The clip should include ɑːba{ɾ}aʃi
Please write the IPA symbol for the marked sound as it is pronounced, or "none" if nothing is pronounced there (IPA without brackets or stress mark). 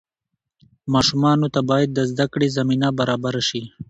ɾ